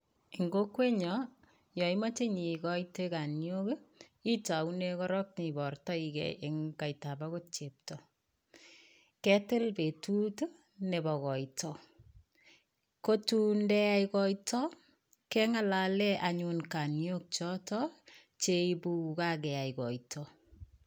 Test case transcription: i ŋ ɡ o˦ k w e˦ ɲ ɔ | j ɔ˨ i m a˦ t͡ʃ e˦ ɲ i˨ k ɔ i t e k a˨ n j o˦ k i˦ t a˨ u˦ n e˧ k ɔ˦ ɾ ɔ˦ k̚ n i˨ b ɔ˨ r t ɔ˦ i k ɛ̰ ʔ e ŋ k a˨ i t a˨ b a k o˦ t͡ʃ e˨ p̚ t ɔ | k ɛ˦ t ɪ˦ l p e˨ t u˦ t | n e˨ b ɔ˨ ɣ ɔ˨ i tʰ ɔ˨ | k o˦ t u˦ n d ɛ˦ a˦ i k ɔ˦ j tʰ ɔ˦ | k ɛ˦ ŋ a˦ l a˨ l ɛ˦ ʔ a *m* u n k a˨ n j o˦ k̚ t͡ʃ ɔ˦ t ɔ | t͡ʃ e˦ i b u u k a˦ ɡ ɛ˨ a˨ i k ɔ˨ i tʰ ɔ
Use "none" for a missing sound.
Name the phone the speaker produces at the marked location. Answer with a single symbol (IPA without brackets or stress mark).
ɲ